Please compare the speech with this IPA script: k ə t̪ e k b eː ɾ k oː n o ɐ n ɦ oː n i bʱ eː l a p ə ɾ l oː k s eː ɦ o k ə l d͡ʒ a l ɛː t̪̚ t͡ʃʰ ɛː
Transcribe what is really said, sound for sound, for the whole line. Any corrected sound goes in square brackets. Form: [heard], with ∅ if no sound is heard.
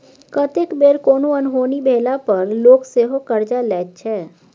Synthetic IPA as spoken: k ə t̪ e k b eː ɾ k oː n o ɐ n ɦ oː n i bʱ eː l a p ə ɾ l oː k s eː ɦ o k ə [ɾ] d͡ʒ a l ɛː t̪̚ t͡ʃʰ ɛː